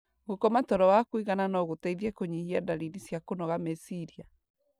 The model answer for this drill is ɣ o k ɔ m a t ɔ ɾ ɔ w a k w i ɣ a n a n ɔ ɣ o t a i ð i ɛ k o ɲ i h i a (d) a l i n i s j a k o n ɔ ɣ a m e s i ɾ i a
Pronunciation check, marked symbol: correct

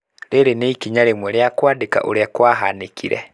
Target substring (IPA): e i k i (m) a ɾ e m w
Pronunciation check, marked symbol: incorrect: ɲ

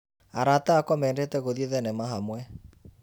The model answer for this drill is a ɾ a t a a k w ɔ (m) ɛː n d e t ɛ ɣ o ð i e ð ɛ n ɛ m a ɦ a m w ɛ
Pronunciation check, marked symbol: correct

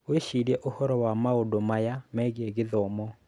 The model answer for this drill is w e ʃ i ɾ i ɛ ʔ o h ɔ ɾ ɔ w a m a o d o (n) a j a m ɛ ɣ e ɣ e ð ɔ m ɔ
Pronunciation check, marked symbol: incorrect: m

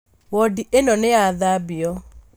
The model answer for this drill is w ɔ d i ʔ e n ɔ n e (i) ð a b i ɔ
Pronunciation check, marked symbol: incorrect: a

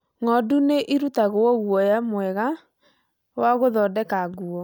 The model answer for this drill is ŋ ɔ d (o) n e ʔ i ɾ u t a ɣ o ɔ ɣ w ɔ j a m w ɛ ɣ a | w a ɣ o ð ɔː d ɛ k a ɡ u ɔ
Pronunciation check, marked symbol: incorrect: u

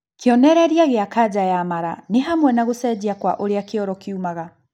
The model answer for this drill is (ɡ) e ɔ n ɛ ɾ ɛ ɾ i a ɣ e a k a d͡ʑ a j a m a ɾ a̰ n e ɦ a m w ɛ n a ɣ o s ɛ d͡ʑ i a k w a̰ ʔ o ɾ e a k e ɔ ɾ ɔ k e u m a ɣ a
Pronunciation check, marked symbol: incorrect: k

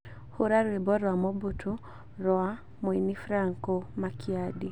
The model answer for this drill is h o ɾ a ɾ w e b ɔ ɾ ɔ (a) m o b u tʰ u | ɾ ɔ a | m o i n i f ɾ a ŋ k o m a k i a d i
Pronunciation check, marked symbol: correct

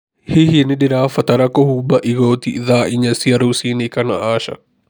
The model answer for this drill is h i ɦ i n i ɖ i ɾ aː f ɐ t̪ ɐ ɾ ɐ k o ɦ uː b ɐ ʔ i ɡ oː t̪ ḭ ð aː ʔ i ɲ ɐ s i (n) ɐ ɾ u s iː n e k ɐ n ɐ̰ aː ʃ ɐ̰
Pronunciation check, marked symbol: incorrect: none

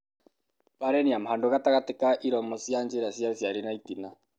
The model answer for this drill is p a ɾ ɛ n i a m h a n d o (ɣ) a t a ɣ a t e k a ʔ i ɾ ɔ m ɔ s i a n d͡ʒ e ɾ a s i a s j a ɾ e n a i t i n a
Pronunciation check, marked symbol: correct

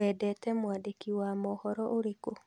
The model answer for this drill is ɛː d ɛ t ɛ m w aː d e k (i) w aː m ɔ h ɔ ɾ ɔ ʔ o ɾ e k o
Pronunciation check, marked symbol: correct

